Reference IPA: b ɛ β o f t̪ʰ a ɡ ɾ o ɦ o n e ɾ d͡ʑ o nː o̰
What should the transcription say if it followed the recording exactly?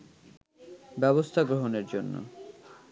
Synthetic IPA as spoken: b ɛ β o s t̪ʰ a ɡ ɾ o ɦ o n e ɾ d͡ʑ o nː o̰